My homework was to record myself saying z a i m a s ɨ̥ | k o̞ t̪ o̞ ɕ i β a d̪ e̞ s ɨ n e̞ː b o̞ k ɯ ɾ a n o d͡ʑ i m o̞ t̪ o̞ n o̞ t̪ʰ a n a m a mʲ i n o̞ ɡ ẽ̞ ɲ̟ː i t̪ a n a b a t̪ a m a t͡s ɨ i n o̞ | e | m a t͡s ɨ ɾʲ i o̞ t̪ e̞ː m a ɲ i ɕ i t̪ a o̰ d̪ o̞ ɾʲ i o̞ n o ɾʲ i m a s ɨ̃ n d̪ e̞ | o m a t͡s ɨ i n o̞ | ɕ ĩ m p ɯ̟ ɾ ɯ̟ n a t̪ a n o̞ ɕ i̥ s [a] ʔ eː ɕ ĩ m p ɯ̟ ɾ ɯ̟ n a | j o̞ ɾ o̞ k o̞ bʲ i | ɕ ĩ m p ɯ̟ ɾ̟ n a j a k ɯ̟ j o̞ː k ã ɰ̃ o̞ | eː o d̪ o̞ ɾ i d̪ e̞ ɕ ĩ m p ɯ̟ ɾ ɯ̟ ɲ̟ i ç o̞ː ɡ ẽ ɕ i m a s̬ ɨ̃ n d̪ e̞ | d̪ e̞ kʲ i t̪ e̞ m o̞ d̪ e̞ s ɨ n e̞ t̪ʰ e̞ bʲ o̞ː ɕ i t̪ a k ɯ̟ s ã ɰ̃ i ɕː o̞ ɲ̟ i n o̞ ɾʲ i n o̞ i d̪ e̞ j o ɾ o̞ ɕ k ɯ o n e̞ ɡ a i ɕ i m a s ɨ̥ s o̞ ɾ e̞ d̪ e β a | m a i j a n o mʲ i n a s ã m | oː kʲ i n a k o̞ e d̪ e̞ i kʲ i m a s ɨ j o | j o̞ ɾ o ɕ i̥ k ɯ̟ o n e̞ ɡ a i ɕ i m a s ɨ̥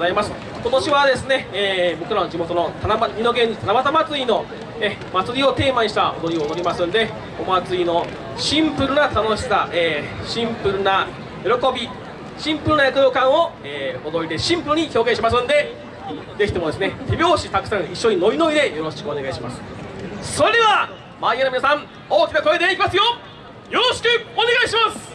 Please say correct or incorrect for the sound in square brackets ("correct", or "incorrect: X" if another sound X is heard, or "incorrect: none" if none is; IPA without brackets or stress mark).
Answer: correct